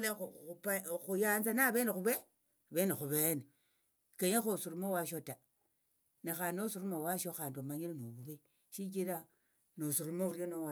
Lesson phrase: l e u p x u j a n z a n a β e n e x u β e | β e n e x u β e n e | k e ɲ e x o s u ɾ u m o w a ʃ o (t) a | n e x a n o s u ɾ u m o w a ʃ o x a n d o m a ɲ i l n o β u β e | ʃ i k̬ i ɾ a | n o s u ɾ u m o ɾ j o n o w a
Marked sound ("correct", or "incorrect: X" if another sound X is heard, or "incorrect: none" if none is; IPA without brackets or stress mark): correct